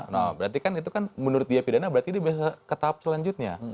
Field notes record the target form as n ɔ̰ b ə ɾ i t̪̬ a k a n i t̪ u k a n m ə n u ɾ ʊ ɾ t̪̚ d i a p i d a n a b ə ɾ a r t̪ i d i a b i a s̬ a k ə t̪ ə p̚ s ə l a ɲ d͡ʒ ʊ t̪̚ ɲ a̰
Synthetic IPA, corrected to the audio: n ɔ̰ b ə ɾ a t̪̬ i k a n i t̪ u k a n m ə n u ɾ ʊ t̪̚ d i a p i d a n a b ə ɾ a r t̪ i d i a b i a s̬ a k ə t̪ a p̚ s ə l a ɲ d͡ʒ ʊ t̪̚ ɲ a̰